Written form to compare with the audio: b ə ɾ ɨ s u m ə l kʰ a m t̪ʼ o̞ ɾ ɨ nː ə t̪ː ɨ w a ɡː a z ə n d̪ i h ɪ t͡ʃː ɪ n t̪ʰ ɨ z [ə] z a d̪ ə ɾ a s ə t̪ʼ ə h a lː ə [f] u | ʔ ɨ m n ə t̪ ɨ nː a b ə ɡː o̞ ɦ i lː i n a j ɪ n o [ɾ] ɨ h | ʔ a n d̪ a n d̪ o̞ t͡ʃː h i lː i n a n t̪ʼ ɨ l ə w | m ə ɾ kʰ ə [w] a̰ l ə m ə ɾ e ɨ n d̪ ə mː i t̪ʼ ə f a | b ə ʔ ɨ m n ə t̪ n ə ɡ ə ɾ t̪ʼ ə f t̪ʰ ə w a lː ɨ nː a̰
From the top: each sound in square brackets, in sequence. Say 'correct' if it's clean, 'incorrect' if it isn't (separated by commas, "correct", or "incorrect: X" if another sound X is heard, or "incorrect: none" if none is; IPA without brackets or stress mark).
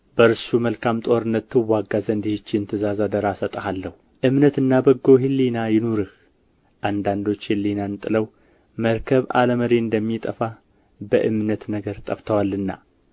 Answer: incorrect: a, incorrect: h, correct, incorrect: β